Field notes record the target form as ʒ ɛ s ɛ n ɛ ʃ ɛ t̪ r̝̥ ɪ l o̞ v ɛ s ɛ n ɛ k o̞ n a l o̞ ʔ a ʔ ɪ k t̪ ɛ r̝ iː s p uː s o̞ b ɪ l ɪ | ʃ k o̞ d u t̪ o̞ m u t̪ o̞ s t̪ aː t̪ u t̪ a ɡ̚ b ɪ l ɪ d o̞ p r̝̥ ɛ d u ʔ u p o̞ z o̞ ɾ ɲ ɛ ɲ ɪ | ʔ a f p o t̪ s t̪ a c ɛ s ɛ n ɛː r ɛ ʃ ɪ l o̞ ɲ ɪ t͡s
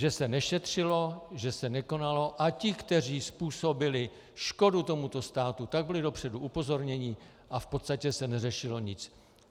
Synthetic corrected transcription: ʒ ɛ s ɛ n ɛ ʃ ɛ t̪ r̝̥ ɪ l o̞ ʒ ɛ s ɛ n ɛ k o̞ n a l o̞ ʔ a c ɪ k t̪ ɛ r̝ iː s p uː s o̞ b ɪ l ɪ | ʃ k o̞ d u t̪ o̞ m u t̪ o̞ s t̪ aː t̪ u t̪ a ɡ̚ b ɪ l ɪ d o̞ p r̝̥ ɛ d u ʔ u p o̞ z o̞ ɾ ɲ ɛ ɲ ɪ | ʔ a f p o t̪ s t̪ a c ɛ s ɛ n ɛ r ɛ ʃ ɪ l o̞ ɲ ɪ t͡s